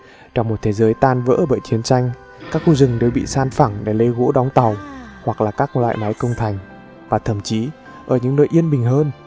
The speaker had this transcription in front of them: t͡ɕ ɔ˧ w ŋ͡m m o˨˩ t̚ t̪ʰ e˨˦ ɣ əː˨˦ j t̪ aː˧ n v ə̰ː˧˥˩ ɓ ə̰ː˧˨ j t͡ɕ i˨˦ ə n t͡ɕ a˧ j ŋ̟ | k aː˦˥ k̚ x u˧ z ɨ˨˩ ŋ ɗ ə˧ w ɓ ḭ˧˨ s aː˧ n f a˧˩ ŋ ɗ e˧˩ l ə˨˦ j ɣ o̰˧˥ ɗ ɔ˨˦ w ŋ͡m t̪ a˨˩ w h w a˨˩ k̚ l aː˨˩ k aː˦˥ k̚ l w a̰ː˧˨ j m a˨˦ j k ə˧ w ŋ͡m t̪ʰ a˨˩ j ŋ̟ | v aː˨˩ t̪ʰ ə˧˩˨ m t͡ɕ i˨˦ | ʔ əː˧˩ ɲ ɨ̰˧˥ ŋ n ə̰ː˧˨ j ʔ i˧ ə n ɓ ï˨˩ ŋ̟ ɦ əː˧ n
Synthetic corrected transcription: t͡ɕ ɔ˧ w ŋ͡m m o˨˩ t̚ t̪ʰ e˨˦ z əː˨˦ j t̪ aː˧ n v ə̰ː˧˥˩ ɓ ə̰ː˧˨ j t͡ɕ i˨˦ ə n t͡ɕ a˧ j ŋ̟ | k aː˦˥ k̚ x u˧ z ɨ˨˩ ŋ ɗ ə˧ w ɓ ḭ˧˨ s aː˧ n f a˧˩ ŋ ɗ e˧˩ l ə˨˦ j ɣ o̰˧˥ ɗ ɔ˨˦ w ŋ͡m t̪ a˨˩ w h w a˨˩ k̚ l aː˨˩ k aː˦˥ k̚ l w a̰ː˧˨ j m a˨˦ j k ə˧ w ŋ͡m t̪ʰ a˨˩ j ŋ̟ | v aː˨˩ t̪ʰ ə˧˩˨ m t͡ɕ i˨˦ | ʔ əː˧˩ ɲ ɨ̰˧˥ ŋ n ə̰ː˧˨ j ʔ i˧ ə n ɓ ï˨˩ ŋ̟ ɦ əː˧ n